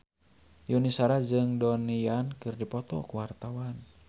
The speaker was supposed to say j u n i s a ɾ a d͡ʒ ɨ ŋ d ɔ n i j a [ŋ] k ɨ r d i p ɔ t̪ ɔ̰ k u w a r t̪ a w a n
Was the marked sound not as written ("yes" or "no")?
yes